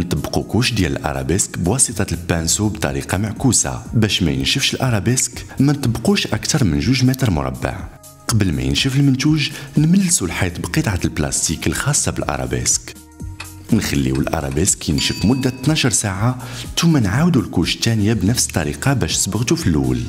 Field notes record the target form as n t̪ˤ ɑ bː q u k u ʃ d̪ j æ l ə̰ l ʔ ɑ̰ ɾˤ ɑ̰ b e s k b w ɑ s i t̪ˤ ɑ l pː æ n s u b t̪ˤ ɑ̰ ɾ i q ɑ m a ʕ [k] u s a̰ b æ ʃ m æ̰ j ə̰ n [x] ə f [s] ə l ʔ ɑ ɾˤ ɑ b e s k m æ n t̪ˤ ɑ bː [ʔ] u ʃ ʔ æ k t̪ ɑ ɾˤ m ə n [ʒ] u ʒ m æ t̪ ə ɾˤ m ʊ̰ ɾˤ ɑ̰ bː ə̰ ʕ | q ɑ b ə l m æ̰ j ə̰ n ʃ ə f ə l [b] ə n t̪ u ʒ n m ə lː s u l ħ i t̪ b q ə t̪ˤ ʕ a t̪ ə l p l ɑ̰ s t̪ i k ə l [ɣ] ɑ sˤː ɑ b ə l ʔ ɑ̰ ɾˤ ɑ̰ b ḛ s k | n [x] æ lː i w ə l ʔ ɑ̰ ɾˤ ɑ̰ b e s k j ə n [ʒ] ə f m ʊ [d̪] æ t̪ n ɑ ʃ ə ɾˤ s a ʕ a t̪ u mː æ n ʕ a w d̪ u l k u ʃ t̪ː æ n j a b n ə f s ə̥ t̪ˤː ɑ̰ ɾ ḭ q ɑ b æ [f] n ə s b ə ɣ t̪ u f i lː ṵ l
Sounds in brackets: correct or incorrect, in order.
correct, incorrect: ʃ, incorrect: ʃ, incorrect: q, correct, incorrect: m, incorrect: x, correct, incorrect: ʃ, incorrect: d̪ː, incorrect: ʃ

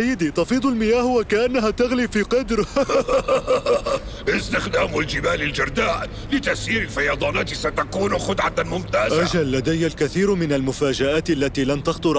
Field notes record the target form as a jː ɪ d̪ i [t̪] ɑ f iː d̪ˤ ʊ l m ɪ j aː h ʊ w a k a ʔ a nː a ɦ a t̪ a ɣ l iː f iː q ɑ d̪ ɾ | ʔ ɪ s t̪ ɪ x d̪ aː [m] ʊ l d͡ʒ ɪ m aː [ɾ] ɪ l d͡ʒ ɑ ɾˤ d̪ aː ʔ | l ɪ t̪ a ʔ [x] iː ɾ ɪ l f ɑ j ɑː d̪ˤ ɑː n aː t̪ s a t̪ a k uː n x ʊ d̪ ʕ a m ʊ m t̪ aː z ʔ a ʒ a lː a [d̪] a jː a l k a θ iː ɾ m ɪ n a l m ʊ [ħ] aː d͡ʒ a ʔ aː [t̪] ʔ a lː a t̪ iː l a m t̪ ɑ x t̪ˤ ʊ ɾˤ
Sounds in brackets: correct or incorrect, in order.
correct, correct, incorrect: l, incorrect: s, correct, incorrect: f, correct

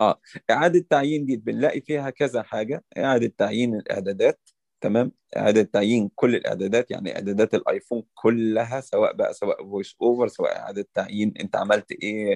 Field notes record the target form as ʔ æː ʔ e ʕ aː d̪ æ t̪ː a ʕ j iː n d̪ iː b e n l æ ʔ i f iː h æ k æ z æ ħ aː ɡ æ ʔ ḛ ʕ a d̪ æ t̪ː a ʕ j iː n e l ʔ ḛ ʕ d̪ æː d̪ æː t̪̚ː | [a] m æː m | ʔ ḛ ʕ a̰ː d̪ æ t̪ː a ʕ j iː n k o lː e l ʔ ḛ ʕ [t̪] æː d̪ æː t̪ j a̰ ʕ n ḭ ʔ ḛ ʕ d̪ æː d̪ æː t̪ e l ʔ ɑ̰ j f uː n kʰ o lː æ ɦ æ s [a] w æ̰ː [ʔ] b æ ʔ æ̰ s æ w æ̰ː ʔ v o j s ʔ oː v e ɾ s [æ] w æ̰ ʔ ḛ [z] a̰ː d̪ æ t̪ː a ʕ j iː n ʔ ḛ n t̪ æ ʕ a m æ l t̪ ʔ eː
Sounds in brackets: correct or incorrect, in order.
incorrect: æ, incorrect: d̪, incorrect: æ, correct, correct, incorrect: ʕ

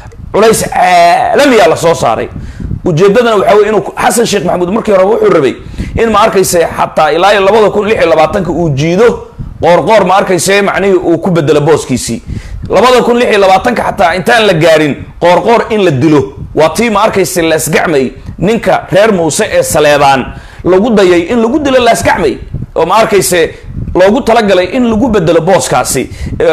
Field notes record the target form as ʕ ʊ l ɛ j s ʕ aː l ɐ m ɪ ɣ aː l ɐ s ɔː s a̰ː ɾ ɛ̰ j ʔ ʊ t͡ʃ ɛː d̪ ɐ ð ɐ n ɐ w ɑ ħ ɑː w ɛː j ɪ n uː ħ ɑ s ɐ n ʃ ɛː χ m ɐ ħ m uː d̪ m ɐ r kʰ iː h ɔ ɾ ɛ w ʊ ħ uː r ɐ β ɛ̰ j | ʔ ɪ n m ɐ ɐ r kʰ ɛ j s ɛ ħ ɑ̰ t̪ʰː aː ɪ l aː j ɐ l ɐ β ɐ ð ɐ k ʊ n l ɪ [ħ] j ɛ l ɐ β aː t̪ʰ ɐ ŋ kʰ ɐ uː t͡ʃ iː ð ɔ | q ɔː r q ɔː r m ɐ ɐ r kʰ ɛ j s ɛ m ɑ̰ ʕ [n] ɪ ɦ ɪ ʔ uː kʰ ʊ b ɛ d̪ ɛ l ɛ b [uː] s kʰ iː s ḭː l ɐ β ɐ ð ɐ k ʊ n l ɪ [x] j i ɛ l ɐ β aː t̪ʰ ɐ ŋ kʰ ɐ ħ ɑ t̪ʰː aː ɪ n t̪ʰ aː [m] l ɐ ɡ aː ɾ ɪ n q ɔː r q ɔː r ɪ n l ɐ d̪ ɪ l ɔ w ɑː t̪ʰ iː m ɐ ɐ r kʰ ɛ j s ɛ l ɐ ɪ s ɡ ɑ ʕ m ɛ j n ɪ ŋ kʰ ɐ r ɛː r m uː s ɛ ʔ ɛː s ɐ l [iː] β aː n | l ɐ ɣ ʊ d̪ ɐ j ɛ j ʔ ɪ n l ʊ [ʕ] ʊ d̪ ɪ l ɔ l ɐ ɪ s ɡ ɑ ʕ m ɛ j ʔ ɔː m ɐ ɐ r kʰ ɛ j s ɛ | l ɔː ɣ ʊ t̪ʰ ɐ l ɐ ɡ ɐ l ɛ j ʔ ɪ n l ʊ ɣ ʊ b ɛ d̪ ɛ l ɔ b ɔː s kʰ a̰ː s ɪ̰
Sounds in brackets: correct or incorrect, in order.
correct, correct, incorrect: ɔː, incorrect: ħ, incorrect: n, incorrect: ɛː, incorrect: ɣ

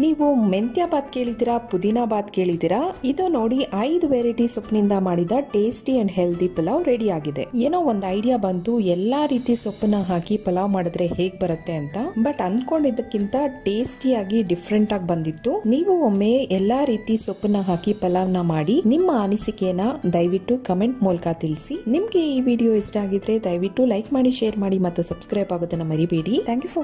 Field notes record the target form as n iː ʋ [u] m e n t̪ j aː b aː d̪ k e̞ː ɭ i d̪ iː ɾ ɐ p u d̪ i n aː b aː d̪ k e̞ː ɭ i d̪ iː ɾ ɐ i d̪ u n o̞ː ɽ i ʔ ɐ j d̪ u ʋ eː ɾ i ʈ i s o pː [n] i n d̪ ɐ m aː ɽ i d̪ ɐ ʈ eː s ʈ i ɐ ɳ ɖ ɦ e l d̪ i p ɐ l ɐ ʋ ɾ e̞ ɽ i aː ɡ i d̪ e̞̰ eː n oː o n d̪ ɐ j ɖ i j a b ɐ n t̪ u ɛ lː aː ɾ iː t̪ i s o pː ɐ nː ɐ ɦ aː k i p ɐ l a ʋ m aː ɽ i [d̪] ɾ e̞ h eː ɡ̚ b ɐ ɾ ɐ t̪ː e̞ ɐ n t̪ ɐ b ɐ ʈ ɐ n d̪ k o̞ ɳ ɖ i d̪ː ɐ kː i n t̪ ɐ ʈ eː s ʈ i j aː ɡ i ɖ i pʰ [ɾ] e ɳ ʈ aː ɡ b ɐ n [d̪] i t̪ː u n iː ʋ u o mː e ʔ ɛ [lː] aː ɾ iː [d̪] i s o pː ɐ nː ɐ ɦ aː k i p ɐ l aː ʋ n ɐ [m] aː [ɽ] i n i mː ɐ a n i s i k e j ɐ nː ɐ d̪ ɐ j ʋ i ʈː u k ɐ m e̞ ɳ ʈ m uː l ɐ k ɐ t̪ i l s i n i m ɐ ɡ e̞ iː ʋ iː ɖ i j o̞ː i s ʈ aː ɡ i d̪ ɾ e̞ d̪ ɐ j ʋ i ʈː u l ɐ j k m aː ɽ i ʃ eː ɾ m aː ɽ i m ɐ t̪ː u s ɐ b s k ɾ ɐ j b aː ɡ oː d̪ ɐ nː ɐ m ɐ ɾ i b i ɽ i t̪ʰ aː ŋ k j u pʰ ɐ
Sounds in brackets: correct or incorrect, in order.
correct, correct, correct, correct, correct, correct, incorrect: t̪, correct, correct

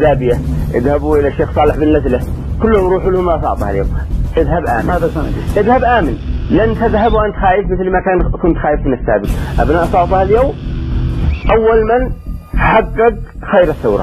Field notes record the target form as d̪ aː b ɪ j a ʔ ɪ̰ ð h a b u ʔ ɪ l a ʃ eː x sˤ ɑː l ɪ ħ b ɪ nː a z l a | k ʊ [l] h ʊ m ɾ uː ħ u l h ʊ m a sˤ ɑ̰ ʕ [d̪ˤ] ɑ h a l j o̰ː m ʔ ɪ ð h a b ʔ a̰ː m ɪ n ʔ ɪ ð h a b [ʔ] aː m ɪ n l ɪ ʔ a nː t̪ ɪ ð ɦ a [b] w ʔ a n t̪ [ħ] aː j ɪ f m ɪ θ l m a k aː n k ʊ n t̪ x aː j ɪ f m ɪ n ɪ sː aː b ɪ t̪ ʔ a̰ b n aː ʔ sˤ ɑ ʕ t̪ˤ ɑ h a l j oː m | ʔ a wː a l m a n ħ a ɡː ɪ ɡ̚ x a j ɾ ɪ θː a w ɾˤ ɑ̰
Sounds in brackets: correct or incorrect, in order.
incorrect: lː, incorrect: t̪ˤ, correct, correct, incorrect: x

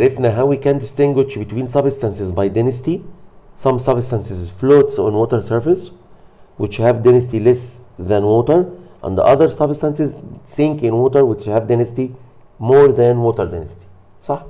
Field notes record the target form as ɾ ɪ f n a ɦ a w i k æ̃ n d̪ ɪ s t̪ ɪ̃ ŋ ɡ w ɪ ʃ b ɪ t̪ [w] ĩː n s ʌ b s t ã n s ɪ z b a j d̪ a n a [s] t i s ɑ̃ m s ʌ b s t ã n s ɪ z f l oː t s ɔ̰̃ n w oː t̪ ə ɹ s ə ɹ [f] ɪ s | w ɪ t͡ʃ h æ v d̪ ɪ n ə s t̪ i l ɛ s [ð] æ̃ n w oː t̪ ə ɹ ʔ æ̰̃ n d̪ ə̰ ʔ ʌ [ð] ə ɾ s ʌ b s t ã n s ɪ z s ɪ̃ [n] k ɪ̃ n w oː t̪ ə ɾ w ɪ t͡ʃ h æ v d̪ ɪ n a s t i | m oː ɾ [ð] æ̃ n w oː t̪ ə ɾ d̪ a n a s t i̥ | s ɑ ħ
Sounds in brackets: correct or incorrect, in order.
correct, correct, correct, correct, correct, incorrect: ŋ, correct

